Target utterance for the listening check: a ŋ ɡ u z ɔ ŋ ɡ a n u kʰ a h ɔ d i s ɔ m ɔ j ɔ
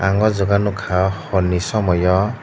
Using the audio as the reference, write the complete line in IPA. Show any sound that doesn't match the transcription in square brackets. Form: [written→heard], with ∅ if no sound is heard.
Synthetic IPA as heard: a ŋ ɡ [u→ɔ] z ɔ [ŋ→∅] ɡ a n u kʰ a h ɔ [d→n] i s ɔ m ɔ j ɔ